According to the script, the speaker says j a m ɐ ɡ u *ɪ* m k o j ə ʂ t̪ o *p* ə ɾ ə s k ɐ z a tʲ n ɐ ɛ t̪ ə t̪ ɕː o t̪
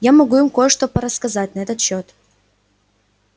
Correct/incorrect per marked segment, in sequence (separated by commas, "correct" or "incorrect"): correct, correct